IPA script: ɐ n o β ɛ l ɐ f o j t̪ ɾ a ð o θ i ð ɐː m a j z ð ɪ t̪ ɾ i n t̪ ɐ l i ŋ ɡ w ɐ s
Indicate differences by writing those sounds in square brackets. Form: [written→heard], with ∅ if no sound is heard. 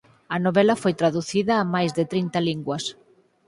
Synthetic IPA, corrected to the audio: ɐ n o β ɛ l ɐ f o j t̪ ɾ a ð [o→u] θ i ð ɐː m a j z ð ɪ t̪ ɾ i n t̪ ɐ l i ŋ ɡ w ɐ s